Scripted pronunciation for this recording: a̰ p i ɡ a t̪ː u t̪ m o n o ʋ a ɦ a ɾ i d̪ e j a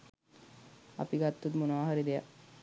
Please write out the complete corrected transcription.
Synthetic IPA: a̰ p i ɡ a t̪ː u t̪ m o n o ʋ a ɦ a ɾ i d̪ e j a